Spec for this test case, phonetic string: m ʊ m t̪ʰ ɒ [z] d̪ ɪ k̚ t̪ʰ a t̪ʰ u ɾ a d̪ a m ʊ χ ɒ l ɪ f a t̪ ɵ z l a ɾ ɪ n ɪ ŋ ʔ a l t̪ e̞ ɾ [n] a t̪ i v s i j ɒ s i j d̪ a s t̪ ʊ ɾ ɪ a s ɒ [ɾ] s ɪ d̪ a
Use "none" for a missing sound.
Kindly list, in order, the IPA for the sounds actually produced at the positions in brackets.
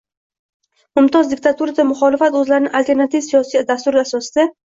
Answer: z, n, none

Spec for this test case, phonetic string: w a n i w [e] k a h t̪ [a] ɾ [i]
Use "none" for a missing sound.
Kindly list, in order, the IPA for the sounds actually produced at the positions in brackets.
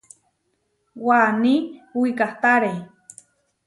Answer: i, a, e

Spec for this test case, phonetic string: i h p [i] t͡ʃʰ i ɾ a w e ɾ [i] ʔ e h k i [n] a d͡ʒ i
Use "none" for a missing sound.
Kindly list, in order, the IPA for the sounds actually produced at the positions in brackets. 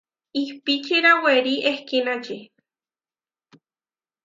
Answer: i, i, n

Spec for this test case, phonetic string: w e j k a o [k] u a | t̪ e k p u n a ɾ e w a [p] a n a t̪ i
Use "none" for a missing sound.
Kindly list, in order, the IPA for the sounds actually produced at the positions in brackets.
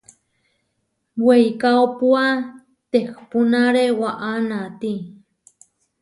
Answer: p, ʔ

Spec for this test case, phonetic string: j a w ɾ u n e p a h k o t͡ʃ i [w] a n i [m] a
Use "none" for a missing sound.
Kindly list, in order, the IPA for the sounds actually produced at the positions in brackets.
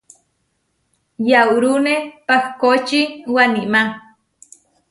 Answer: w, m

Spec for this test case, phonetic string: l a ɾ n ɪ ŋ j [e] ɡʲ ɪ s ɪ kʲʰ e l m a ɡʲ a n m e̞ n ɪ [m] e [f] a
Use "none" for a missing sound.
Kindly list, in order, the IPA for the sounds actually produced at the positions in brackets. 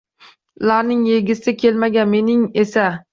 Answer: e, ŋ, s

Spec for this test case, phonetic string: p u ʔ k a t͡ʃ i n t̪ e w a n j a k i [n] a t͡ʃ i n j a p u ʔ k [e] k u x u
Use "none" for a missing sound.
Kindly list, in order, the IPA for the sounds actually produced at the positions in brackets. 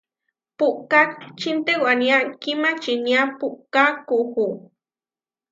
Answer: m, a

